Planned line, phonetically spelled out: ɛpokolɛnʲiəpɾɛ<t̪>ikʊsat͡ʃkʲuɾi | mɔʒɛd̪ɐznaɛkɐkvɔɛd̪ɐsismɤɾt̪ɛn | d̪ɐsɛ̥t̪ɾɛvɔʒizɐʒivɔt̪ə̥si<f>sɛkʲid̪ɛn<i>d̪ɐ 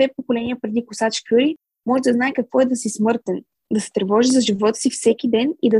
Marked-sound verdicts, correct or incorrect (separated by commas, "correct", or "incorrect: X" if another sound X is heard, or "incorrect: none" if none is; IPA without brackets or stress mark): incorrect: d̪, correct, correct